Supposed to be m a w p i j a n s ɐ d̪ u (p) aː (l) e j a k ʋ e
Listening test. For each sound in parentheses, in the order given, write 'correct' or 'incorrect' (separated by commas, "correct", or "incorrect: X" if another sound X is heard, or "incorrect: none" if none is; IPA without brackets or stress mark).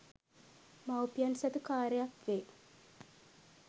incorrect: k, incorrect: ɾ